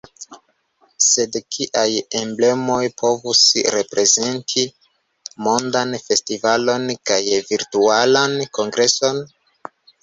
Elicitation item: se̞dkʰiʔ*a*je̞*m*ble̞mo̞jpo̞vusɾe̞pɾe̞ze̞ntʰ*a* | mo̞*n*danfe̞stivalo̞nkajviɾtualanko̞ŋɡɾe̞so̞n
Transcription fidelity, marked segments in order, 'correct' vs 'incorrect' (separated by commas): correct, correct, incorrect, correct